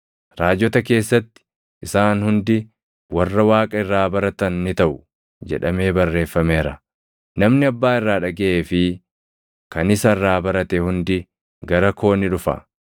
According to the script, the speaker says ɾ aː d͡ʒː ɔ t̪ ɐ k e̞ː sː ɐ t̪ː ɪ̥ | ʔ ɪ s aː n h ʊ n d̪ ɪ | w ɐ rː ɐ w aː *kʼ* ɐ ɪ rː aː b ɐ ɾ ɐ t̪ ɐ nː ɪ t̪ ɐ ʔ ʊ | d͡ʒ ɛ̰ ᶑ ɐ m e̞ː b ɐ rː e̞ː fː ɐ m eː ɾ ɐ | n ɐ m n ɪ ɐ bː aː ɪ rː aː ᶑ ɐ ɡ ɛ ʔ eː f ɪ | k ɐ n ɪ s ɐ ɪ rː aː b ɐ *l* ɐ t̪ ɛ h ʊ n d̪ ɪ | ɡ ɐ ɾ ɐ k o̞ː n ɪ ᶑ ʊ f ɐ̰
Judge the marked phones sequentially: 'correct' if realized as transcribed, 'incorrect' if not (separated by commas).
correct, incorrect